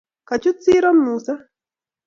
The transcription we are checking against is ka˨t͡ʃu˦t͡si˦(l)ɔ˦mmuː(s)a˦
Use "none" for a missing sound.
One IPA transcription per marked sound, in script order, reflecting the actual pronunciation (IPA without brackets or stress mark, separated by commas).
ɾ, s